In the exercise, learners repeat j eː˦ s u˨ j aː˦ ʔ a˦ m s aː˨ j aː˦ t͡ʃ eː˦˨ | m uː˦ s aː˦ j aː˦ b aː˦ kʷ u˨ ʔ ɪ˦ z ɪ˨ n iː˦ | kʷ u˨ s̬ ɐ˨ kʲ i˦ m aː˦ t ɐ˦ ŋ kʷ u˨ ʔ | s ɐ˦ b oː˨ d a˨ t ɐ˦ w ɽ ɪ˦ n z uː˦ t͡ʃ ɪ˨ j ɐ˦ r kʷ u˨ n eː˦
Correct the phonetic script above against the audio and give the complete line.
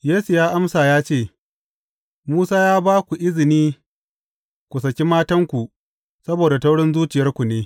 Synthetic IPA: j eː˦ s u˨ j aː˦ ʔ a˦ m s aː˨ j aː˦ t͡ʃ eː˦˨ | m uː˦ s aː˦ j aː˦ b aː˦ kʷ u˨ ʔ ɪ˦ z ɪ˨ n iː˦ | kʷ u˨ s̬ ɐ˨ kʲ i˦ m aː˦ t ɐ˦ ŋ kʷ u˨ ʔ | s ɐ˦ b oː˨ d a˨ t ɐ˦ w ɽ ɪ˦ n z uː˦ t͡ʃ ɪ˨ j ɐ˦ r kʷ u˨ n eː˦